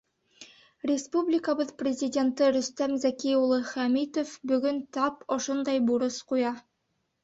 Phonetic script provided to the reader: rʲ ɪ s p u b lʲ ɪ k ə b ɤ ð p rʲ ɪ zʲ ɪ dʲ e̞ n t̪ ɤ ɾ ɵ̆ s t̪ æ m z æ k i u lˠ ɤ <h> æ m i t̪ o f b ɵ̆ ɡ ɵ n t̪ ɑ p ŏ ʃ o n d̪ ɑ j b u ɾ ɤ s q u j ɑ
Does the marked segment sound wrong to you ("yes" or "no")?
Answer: yes